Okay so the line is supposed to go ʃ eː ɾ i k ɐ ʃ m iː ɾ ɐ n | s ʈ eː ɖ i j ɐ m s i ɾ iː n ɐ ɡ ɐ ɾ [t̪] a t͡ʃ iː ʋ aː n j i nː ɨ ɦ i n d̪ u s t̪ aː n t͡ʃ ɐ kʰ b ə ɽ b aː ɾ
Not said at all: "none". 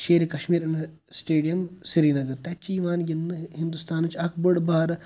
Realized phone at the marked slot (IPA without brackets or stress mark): t̪